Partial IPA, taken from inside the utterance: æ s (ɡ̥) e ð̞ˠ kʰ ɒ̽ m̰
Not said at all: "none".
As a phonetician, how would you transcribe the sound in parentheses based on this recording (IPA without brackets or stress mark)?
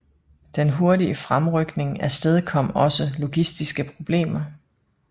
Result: d̥